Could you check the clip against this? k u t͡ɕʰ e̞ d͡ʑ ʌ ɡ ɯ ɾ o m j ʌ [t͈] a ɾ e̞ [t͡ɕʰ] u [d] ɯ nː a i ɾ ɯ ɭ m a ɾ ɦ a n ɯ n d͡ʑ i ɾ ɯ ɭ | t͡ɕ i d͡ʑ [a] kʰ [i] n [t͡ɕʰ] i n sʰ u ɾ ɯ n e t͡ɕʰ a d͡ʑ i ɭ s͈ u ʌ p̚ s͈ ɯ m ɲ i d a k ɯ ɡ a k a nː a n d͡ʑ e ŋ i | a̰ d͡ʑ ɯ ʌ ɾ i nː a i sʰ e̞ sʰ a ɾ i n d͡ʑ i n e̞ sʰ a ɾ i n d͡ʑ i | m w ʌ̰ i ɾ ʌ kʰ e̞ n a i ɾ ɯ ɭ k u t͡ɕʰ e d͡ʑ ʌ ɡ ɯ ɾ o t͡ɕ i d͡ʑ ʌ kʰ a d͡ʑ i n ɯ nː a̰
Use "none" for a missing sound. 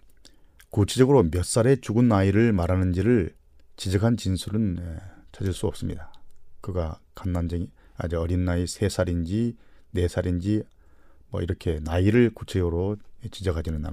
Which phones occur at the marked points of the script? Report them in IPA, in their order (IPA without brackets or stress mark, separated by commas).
s͈, t͡ɕ, ɡ, ʌ, a, t͡ɕ